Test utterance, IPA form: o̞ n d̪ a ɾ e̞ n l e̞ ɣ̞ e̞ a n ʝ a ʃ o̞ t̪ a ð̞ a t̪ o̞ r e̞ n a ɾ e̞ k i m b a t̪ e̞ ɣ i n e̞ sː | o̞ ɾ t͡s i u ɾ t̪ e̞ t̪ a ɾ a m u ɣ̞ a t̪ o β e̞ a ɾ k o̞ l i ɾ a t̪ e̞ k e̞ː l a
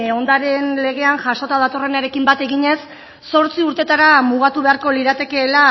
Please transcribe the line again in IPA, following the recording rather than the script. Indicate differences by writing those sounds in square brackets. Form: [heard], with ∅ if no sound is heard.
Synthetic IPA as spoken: o̞ n d̪ a ɾ e̞ n l e̞ ɣ̞ e̞ a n ʝ a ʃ o̞ t̪ a ð̞ a t̪ o̞ r e̞ n a ɾ e̞ k i m b a t̪ e̞ ɣ i [ɲ] e̞ sː | o̞ ɾ t͡s i u ɾ t̪ e̞ t̪ a ɾ a m u ɣ̞ a t̪ [u] β e̞ a ɾ k o̞ l i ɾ a t̪ e̞ k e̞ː l a